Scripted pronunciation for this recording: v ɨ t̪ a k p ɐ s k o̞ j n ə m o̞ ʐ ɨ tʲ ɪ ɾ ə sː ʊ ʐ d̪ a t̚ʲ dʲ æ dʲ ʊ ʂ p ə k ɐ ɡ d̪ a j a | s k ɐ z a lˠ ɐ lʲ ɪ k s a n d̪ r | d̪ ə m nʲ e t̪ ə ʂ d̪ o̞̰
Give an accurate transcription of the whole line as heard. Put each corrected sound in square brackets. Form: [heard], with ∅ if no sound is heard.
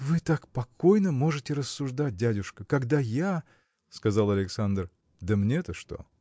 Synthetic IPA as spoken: v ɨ t̪ a k p ɐ [∅] k o̞ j n ə m o̞ ʐ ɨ tʲ ɪ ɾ ə sː ʊ ʐ d̪ a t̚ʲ dʲ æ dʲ ʊ ʂ [k] ə k ɐ ɡ d̪ a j a | s k ɐ z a lˠ ɐ lʲ ɪ k s a n d̪ r | d̪ ə m nʲ e t̪ ə ʂ [t̪] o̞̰